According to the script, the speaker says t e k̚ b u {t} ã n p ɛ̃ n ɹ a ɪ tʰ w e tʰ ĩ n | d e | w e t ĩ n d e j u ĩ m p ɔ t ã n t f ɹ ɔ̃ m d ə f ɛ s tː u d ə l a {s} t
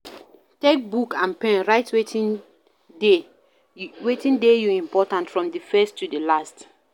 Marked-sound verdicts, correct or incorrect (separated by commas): incorrect, correct